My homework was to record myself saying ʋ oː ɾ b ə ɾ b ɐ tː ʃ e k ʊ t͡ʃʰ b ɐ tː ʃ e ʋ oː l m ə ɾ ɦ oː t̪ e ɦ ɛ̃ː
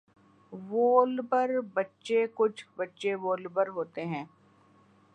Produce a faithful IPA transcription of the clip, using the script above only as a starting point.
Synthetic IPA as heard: ʋ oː l b ə ɾ b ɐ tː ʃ e k ʊ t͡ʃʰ b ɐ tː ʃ e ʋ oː l b ə ɾ ɦ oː t̪ e ɦ ɛ̃ː